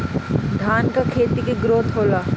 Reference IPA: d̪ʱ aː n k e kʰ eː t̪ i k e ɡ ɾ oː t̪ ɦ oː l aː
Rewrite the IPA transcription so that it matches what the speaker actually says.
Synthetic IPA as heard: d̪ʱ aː n k a kʰ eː t̪ i k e ɡ ɾ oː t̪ ɦ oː l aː